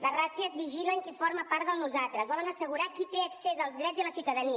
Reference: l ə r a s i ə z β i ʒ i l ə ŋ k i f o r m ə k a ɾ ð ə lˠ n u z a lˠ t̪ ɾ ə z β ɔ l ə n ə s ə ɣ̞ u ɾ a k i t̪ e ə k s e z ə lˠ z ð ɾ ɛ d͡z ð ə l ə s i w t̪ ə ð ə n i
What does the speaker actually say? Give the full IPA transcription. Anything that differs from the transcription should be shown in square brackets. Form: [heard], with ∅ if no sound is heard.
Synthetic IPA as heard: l ə r a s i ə z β i ʒ i l ə ŋ k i f o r m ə [p] a ɾ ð ə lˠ n u z a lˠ t̪ ɾ ə z β ɔ l ə n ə s ə ɣ̞ u ɾ a k i t̪ e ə k s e z ə lˠ z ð ɾ ɛ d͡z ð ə l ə s i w t̪ ə ð ə n i